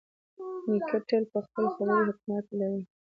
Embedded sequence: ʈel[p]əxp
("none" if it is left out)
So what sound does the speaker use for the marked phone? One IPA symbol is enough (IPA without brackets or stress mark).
p